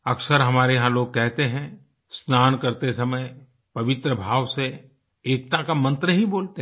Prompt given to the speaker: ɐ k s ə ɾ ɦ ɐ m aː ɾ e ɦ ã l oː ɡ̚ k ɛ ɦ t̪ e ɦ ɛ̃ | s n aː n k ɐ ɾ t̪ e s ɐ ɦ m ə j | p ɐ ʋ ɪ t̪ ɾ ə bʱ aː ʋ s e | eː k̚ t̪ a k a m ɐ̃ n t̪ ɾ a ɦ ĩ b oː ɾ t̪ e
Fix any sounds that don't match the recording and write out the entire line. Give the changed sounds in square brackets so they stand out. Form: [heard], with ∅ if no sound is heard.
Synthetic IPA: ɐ k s ə ɾ ɦ ɐ m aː ɾ e ɦ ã l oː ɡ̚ k ɛ ɦ t̪ e ɦ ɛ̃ | s n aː n k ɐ ɾ t̪ e s ɐ [∅] m ə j | p ɐ ʋ ɪ t̪ ɾ ə bʱ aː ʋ s e | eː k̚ t̪ a k a m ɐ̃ n t̪ ɾ [ə] ɦ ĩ b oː [l] t̪ e